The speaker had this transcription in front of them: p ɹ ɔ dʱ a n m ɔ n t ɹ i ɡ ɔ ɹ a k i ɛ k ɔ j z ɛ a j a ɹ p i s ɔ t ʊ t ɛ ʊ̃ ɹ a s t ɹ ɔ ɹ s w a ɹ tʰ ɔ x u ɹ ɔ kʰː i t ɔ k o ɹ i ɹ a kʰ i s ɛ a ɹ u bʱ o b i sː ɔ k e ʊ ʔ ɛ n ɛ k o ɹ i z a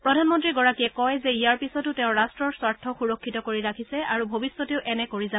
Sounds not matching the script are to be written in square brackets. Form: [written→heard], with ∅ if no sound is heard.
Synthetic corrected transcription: p ɹ ɔ dʱ a n m ɔ n t ɹ i ɡ ɔ ɹ a k i ɛ k ɔ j z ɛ [a→i] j a ɹ p i s ɔ t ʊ t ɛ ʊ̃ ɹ a s t ɹ ɔ ɹ s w a ɹ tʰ ɔ x u ɹ ɔ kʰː i t ɔ k o ɹ i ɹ a kʰ i s ɛ a ɹ u bʱ o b i sː ɔ [k→t] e ʊ ʔ ɛ n ɛ k o ɹ i z a